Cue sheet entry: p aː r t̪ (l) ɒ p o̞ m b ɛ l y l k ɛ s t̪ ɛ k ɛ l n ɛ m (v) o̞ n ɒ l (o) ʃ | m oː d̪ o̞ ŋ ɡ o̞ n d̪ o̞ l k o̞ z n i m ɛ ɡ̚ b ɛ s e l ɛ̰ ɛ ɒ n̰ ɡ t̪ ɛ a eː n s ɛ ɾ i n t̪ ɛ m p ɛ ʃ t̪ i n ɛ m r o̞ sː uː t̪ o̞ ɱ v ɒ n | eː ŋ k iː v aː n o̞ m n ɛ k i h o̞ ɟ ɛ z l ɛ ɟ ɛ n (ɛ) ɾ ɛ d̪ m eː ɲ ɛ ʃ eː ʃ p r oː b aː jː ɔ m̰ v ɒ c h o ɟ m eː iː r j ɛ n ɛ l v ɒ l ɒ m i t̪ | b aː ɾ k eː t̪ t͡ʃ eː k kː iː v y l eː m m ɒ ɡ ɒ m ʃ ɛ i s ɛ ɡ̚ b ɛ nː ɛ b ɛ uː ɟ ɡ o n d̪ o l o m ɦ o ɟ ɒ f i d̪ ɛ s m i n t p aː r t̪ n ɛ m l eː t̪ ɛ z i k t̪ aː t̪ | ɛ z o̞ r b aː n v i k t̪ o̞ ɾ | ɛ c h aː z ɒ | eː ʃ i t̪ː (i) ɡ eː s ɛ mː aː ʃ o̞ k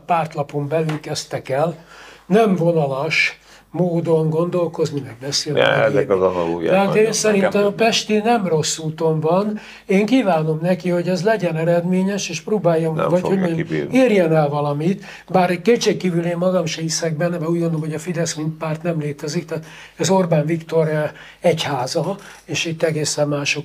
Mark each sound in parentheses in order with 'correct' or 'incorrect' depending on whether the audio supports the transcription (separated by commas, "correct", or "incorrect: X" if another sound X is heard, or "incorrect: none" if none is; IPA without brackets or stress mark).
correct, correct, incorrect: ɒ, correct, incorrect: ɛ